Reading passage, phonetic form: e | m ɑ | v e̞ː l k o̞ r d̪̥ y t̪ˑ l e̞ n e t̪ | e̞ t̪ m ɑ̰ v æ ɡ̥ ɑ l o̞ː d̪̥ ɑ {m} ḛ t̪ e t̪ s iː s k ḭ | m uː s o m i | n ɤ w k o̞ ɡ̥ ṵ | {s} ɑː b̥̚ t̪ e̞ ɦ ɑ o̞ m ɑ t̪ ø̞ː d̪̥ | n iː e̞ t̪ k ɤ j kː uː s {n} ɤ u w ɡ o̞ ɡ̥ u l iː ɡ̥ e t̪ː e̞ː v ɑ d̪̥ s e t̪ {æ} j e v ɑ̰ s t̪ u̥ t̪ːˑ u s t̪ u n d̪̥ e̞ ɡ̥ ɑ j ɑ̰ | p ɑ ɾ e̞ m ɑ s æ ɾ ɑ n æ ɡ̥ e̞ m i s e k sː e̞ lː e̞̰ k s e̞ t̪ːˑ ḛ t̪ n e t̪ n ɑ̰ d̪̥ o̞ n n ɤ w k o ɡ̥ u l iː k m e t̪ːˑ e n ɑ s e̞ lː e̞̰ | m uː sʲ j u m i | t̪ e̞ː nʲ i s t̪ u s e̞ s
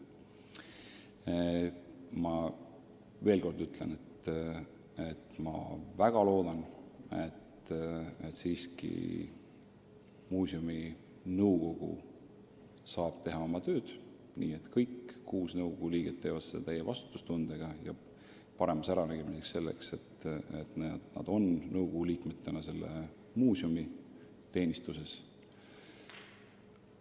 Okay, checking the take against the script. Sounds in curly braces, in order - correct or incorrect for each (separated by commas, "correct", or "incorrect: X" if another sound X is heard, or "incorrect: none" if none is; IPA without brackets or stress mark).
incorrect: n, correct, correct, correct